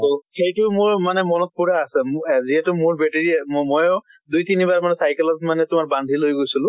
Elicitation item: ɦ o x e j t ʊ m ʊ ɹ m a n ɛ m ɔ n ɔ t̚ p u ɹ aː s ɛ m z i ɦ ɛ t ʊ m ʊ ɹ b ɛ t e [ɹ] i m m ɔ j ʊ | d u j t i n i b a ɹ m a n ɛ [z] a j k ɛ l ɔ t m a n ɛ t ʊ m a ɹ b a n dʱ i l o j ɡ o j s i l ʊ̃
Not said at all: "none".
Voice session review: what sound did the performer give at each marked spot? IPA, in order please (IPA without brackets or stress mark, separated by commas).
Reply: ɹ, s